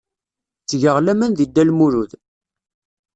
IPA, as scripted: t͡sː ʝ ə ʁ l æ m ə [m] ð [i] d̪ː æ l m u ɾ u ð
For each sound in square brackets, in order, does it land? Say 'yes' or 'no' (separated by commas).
no, yes